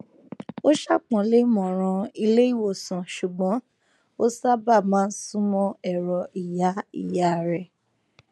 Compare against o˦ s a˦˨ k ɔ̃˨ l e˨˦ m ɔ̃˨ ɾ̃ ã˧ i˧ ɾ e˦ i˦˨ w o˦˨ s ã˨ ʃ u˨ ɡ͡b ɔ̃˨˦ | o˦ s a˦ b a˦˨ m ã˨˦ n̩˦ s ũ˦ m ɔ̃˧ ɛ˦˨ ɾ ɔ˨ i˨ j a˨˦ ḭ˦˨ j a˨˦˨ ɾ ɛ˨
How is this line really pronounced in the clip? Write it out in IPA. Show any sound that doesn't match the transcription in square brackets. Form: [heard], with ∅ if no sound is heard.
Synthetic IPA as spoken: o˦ [ʃ] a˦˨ [k͡p] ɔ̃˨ l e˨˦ m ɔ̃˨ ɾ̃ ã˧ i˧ [l] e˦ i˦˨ w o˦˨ s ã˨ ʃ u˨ ɡ͡b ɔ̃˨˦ | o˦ s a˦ b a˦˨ m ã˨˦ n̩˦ s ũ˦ m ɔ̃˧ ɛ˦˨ ɾ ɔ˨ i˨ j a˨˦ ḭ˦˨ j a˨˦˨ ɾ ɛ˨